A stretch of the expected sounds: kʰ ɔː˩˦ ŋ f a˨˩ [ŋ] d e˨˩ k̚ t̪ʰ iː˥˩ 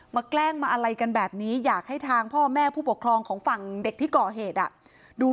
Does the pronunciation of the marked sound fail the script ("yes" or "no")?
no